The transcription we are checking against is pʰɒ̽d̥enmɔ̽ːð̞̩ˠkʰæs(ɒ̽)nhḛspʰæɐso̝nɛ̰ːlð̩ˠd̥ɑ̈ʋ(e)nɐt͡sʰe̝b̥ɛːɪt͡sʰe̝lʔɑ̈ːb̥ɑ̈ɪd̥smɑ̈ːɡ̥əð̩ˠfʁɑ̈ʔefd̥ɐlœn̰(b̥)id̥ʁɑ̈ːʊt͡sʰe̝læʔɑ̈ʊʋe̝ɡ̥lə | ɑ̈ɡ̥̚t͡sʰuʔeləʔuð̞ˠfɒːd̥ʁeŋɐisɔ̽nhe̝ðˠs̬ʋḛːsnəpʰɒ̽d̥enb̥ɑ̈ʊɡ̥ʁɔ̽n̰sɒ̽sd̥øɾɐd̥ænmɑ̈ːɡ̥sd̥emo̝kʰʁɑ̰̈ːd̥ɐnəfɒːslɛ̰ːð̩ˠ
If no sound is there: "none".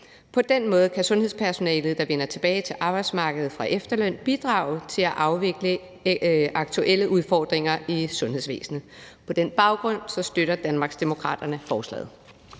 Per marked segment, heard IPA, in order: ɔ̽, e, b̥

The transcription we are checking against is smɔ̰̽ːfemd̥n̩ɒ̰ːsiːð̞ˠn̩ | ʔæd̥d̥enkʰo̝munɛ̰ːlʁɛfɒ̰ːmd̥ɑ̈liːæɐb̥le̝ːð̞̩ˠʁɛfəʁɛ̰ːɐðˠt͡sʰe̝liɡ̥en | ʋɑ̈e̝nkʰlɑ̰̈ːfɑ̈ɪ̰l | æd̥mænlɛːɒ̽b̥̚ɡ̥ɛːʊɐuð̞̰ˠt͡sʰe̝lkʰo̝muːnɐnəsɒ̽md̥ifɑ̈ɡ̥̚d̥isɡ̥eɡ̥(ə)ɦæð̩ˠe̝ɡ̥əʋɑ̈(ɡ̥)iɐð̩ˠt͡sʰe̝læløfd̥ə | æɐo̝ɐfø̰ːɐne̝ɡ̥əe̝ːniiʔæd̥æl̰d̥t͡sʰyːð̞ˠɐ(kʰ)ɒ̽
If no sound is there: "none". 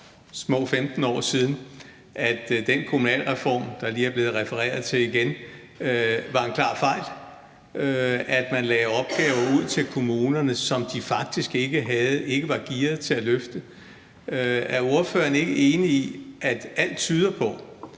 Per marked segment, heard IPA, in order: ə, ɡ̥, pʰ

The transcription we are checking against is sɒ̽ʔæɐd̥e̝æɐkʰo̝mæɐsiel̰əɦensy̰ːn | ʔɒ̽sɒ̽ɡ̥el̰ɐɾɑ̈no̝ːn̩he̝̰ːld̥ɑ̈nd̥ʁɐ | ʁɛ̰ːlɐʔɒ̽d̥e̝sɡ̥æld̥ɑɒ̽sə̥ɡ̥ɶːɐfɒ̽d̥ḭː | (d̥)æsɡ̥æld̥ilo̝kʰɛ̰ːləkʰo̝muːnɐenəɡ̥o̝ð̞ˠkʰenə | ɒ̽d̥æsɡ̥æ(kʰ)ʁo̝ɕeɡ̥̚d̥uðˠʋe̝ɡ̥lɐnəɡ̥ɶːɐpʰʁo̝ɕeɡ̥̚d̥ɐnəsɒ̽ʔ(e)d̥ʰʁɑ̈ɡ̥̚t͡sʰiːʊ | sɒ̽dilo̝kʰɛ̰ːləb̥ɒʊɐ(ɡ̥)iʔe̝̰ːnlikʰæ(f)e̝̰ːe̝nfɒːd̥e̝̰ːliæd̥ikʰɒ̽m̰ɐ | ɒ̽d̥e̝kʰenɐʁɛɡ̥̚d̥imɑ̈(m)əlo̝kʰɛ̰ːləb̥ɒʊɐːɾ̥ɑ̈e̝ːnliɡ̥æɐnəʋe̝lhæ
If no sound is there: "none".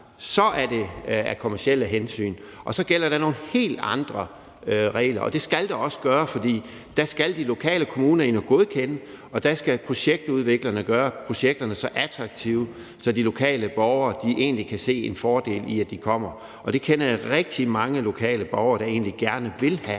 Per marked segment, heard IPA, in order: d̥, pʰ, æ, d̥, s, ŋ

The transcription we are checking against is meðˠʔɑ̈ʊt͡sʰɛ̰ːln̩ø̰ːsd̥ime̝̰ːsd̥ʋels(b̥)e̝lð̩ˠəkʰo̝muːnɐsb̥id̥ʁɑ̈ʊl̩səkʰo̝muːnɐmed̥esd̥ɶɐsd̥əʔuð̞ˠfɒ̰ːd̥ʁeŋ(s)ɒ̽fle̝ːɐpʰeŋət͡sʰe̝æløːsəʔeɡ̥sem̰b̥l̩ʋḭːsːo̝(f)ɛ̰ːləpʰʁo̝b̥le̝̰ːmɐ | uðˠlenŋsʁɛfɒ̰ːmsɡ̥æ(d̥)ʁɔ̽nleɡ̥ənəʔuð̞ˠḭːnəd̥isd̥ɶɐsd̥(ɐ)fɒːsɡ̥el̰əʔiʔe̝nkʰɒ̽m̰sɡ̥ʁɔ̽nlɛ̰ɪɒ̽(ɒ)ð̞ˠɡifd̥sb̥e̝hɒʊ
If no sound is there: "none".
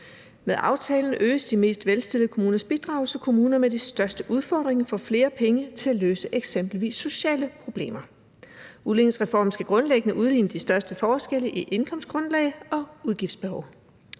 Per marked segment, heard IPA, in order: d̥, f, ɕ, ɡ̥, ə, u

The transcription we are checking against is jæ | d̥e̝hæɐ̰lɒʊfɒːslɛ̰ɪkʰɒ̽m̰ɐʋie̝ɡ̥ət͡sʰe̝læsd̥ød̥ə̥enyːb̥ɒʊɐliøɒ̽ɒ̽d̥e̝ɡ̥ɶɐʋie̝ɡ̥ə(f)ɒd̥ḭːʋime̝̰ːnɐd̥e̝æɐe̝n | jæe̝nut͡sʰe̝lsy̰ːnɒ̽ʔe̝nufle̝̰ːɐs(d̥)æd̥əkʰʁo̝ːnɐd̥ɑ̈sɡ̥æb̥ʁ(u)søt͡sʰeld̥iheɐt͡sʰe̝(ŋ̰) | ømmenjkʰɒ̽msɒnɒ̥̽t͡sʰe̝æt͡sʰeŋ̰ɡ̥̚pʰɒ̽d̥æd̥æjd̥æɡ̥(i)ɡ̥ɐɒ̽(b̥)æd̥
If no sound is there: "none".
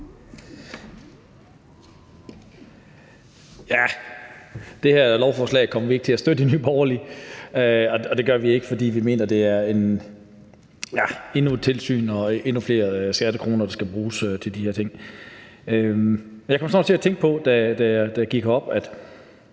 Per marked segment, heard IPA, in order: f, ɡ̥, uː, ŋ̰, i, b̥

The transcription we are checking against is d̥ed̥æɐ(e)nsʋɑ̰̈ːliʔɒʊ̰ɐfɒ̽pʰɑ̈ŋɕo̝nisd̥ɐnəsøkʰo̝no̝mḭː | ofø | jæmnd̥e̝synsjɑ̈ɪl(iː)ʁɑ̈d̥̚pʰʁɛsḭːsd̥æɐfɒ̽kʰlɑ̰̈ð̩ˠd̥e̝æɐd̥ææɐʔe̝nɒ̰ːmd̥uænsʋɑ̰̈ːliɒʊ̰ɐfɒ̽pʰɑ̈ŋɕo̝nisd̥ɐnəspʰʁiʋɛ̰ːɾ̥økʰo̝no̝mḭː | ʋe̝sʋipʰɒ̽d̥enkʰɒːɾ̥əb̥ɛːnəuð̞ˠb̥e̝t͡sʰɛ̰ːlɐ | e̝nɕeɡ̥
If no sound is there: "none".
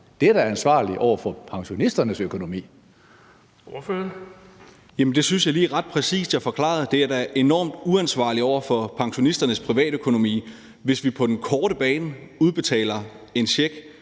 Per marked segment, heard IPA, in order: æ, iː

